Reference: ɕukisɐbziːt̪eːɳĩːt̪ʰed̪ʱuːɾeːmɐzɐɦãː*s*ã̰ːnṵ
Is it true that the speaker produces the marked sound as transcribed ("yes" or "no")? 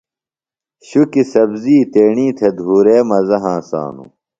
yes